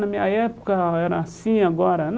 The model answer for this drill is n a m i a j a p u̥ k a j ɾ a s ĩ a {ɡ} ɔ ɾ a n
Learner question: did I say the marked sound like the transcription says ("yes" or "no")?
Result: yes